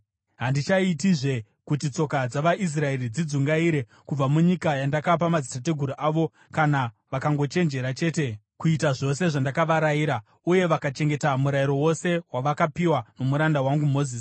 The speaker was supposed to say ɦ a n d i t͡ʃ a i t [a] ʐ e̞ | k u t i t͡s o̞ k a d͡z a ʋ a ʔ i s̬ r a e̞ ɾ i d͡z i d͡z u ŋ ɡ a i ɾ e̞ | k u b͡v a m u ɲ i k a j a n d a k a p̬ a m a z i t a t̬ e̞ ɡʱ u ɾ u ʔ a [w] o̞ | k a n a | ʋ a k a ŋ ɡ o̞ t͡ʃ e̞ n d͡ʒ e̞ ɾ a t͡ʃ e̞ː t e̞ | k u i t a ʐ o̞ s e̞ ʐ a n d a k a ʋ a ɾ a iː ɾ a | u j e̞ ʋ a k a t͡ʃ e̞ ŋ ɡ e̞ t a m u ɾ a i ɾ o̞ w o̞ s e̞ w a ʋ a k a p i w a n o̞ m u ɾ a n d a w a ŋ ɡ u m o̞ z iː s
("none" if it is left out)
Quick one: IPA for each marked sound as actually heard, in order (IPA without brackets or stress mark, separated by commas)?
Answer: i, ʋ